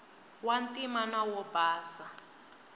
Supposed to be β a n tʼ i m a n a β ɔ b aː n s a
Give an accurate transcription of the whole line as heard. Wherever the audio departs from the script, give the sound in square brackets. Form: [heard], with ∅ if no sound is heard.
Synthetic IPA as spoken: [w] a n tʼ i m a n a [w] ɔ b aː [∅] s a